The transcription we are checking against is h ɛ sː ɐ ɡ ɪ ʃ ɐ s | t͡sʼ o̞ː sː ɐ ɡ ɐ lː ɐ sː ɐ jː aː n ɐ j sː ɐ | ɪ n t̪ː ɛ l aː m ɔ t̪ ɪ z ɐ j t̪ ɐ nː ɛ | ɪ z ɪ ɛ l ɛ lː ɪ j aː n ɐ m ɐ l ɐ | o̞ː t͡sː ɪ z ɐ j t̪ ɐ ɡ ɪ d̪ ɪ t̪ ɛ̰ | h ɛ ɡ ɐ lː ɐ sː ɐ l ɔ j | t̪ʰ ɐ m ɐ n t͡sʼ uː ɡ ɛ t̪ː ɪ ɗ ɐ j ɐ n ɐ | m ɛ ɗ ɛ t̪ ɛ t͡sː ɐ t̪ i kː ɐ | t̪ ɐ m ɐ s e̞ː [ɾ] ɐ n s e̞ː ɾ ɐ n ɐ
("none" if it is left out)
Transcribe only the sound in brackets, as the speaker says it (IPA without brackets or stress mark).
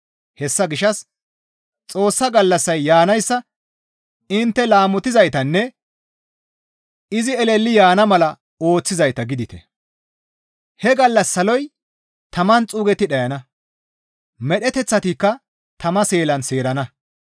l